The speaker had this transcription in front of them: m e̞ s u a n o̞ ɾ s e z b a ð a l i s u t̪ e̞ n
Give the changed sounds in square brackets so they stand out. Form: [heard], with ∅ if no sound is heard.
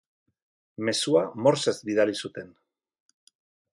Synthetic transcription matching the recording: m e̞ s u a [m] o̞ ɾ s e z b [i] ð a l i s u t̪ e̞ n